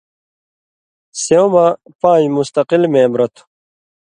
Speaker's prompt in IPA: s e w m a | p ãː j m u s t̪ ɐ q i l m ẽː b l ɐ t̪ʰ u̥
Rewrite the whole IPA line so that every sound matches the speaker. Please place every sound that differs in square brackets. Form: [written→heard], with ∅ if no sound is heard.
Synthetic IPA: s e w m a | p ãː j m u s t̪ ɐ q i l m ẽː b [l→ɾ] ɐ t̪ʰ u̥